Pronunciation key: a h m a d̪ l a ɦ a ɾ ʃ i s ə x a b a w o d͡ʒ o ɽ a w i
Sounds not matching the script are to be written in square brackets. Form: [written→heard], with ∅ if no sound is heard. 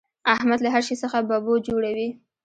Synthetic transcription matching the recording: a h m a d̪ l a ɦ a ɾ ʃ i s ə x a b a [w→b] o d͡ʒ o ɽ a w i